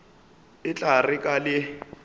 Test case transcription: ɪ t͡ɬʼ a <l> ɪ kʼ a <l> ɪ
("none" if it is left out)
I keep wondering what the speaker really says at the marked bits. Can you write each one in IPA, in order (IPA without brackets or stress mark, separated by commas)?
r, l